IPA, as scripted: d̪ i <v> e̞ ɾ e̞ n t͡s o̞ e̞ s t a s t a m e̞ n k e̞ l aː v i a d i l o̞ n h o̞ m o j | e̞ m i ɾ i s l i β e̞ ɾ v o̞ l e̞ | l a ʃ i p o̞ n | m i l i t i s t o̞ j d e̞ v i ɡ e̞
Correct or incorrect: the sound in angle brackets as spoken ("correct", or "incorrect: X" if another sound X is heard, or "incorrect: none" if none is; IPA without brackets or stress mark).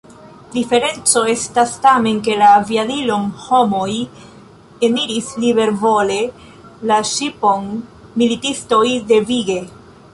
incorrect: f